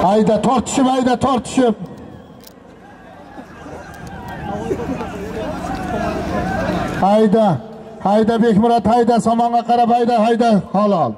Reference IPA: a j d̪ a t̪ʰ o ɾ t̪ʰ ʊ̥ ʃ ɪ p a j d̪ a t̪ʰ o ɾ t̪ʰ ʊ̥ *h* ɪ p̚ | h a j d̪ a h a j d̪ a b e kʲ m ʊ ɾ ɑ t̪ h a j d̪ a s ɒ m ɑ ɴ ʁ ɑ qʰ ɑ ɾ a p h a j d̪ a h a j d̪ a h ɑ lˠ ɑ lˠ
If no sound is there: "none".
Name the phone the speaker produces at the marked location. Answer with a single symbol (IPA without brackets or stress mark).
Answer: ʃ